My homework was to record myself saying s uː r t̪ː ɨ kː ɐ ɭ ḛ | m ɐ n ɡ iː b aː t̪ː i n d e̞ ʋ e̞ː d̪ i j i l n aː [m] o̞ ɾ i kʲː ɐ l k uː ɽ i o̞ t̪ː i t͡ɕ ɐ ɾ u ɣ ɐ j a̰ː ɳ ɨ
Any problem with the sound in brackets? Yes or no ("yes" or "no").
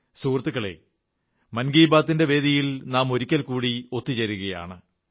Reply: no